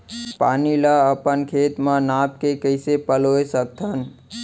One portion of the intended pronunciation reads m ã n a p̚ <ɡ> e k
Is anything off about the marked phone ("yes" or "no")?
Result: yes